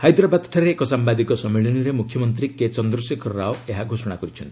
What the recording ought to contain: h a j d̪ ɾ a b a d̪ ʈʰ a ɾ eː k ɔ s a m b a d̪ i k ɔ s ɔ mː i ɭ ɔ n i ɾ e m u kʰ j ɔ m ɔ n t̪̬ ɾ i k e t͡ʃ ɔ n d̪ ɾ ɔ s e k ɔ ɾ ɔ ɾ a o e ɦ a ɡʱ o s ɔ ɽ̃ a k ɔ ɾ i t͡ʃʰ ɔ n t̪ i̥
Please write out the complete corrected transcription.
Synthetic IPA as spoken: h a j d̪ ɾ a b a d̪ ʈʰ a ɾ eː k ɔ s a m b a d̪ i k ɔ s ɔ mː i ɭ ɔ n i ɾ e m u kʰ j ɔ m ɔ n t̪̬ ɾ i k e t͡ʃ ɔ n d̪ ɾ ɔ s e kʰ ɔ ɾ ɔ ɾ a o e ɦ a ɡʱ o s ɔ ɽ̃ a k ɔ ɾ i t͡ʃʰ ɔ n t̪ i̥